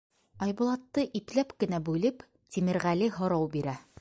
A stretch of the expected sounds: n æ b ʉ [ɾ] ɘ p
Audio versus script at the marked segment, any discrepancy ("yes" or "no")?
yes